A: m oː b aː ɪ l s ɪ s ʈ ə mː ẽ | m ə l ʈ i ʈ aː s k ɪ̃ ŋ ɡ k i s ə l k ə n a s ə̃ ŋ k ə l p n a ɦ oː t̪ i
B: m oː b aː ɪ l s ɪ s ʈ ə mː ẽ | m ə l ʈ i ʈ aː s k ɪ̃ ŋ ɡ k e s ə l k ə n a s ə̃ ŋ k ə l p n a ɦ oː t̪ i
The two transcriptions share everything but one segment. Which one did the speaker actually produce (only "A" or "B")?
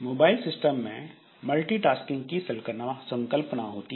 A